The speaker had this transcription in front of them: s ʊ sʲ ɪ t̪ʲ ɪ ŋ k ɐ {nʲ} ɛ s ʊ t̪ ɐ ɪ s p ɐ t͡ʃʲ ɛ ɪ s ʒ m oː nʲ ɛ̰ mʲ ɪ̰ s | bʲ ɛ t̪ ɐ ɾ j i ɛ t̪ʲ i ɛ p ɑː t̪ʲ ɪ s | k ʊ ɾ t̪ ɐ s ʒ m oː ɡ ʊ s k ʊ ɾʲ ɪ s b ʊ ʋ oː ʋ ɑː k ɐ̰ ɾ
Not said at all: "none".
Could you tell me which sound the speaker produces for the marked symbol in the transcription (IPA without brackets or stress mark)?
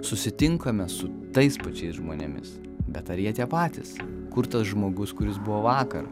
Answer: mʲ